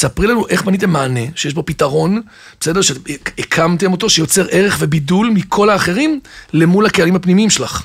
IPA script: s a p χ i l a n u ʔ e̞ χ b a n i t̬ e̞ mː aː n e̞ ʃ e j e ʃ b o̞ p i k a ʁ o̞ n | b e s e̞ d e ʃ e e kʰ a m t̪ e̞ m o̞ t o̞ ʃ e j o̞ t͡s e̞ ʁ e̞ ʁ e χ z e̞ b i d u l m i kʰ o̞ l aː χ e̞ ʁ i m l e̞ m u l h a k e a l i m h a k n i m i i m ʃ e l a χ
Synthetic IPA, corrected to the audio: s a p ʁ i l a n u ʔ e̞ χ b a n i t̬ e̞ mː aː n e̞ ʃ e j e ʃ b o̞ p i t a ʁ o̞ n | b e s e̞ d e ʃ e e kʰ a m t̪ e̞ m o̞ t o̞ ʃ e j o̞ t͡s e̞ ʁ e̞ ʁ e χ v e̞ b i d u l m i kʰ o̞ l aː χ e̞ ʁ i m l e̞ m u l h a k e a l i m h a p n i m i i m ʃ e l a χ